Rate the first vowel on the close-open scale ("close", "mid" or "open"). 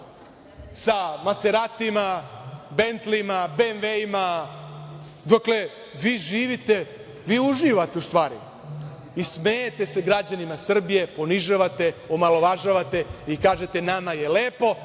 open